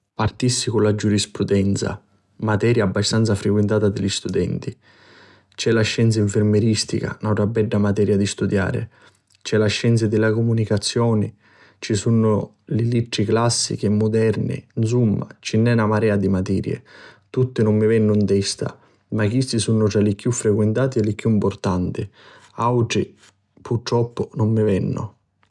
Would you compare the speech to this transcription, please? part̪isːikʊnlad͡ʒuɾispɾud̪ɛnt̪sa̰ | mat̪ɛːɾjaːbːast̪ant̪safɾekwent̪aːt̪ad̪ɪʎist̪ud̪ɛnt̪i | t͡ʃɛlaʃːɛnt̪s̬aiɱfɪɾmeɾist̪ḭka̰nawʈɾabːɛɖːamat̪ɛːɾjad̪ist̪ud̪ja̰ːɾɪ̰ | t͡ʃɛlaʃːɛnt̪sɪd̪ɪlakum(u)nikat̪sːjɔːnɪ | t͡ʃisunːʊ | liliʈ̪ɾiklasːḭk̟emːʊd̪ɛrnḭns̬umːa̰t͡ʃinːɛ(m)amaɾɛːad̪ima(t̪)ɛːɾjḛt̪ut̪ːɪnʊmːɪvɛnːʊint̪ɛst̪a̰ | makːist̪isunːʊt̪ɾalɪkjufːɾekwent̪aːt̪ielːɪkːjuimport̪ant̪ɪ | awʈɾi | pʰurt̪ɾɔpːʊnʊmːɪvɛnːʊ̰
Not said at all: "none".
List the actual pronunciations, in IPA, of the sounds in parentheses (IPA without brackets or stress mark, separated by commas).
u, n, t̪